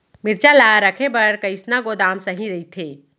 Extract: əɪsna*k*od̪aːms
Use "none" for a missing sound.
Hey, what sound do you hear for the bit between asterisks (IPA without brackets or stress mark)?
ɡ